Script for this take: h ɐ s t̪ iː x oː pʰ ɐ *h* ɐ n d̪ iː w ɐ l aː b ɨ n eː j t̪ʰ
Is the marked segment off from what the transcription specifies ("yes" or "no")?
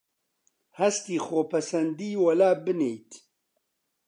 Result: yes